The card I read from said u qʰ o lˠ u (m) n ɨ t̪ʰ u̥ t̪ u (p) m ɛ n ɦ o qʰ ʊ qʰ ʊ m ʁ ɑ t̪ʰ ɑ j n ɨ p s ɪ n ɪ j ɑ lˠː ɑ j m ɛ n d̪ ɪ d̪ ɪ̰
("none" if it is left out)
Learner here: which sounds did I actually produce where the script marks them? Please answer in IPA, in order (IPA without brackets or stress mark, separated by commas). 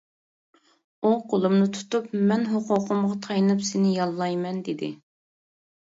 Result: m, p